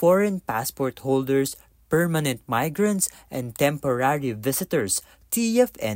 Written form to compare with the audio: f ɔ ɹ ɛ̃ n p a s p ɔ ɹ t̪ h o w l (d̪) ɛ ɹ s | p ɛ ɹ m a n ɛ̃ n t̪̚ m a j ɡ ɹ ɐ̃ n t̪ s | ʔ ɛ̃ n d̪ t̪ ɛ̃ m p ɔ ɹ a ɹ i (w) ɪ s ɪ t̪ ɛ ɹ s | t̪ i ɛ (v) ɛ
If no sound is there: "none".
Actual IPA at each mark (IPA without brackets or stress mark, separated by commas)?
d̪, v, f